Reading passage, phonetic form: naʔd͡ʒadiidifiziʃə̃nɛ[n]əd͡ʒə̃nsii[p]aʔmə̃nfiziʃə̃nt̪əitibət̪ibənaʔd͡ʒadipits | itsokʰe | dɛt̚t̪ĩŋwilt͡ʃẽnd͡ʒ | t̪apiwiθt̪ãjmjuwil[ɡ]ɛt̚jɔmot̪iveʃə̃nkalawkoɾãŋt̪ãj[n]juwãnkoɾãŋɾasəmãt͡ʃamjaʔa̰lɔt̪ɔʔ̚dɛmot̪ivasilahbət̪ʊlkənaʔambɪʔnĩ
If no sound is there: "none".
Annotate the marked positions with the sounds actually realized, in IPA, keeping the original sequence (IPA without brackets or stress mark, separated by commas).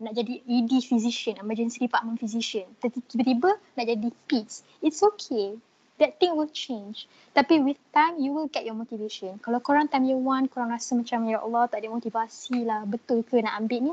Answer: m, p, ɡ, m